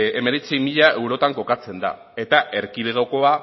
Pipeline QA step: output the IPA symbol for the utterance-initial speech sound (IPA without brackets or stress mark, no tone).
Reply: e̞